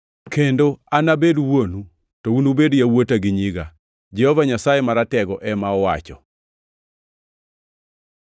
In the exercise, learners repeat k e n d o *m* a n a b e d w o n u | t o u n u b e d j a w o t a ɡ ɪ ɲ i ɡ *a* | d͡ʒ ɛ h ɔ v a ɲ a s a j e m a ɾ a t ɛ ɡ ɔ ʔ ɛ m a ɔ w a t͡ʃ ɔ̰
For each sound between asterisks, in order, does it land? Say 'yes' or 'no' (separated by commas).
no, yes